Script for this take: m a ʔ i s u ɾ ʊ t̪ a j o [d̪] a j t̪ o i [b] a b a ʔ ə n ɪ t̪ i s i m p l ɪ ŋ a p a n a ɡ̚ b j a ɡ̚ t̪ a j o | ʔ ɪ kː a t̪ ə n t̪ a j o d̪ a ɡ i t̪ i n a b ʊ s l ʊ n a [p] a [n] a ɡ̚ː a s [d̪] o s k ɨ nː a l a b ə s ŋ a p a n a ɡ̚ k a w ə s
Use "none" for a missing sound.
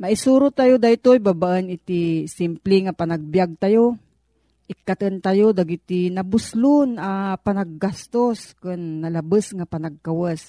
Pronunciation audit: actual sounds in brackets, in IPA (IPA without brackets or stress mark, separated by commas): d̪, b, p, n, t̪